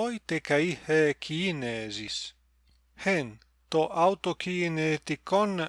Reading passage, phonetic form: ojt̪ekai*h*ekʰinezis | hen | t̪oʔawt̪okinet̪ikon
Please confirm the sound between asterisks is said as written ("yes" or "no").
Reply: yes